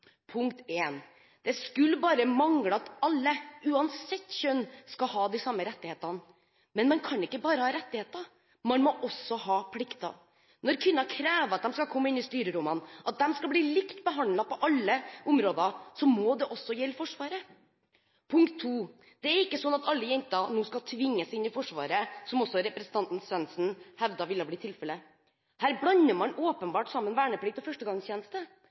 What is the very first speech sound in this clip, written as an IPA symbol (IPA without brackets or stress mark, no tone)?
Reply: pʰ